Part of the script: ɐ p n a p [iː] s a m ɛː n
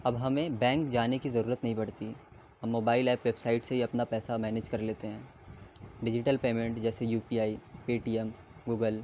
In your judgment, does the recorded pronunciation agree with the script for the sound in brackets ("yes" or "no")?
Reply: no